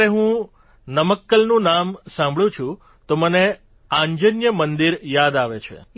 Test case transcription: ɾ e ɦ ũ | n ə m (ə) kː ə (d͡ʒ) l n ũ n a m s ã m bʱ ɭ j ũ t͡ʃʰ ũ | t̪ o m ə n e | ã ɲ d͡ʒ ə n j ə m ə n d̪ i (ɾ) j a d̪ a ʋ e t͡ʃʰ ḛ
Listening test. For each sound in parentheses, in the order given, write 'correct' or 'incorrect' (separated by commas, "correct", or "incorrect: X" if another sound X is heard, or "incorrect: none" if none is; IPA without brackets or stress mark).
correct, incorrect: none, correct